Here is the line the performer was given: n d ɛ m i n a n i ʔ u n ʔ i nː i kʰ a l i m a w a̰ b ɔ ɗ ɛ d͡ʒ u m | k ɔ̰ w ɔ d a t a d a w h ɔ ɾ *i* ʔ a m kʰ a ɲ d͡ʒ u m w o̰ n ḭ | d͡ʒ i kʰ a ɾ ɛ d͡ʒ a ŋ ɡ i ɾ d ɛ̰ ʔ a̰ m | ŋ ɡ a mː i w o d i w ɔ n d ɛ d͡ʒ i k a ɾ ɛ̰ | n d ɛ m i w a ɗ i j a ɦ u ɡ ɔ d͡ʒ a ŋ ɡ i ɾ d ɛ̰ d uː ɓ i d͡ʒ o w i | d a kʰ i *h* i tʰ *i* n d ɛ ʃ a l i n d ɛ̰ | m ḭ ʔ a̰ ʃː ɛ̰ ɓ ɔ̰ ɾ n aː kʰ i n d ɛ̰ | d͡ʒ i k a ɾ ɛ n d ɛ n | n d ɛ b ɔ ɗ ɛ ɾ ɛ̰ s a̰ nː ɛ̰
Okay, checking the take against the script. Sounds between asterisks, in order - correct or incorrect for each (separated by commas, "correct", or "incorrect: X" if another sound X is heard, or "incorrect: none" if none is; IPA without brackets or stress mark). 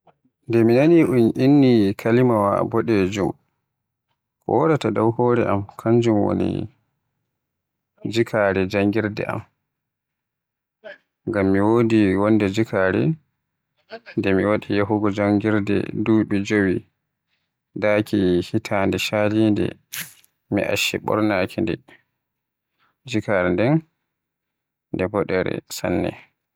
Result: incorrect: ɛ, correct, incorrect: a